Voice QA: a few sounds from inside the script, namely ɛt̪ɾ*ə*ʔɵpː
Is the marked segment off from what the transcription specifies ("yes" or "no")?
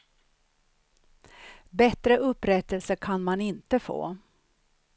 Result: no